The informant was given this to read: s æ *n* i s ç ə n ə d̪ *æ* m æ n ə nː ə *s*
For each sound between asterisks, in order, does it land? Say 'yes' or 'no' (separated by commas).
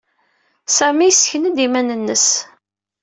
no, no, yes